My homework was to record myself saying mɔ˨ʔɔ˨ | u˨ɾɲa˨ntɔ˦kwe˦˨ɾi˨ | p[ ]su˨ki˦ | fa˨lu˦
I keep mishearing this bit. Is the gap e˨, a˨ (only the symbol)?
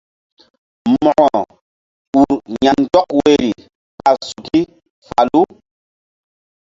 a˨